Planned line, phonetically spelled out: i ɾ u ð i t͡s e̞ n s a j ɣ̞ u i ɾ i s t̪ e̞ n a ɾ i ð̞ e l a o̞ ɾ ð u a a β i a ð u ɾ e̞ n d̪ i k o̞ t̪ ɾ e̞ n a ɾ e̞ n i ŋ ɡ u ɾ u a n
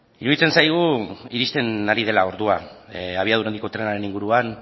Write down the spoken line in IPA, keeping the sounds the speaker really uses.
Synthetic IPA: i ɾ u ð i t͡s e̞ n s a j ɣ̞ u i ɾ i s t̪ e̞ n a ɾ i ð̞ e l a o̞ ɾ ð u a a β i a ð u ɾ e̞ n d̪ i k o̞ t̪ ɾ e̞ n a ɾ e̞ n i ŋ ɡ u ɾ u a n